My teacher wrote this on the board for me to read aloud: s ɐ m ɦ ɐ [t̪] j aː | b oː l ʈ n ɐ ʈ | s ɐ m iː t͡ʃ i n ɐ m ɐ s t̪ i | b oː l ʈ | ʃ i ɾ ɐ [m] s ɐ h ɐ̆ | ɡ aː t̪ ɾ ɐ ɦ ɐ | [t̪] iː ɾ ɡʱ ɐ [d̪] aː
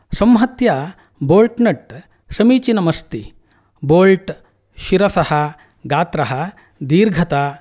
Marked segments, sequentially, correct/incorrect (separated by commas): correct, incorrect, incorrect, incorrect